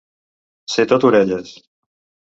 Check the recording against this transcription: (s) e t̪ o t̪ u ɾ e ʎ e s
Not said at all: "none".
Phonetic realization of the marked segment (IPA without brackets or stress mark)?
s